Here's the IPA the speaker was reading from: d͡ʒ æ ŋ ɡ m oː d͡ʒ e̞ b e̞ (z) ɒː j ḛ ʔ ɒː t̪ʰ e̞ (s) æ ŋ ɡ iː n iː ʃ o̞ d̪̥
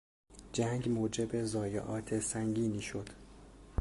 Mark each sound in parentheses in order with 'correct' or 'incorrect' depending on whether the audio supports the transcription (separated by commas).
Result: correct, correct